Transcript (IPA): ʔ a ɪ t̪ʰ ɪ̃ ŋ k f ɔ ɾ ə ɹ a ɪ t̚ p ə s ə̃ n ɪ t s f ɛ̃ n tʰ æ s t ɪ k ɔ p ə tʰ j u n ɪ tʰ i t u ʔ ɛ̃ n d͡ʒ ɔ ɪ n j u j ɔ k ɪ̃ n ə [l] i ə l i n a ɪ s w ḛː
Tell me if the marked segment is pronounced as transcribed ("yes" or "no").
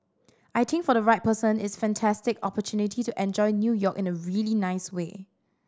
no